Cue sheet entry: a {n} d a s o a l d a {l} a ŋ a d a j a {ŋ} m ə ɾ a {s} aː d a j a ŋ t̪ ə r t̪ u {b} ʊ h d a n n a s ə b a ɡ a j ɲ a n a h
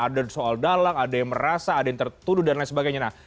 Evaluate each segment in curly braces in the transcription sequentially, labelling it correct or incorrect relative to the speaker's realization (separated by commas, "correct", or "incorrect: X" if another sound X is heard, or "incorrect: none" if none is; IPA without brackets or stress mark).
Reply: incorrect: none, correct, correct, correct, incorrect: d